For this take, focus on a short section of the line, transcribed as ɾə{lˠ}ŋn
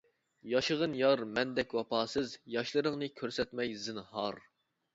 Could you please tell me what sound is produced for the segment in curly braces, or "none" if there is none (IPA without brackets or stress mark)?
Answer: none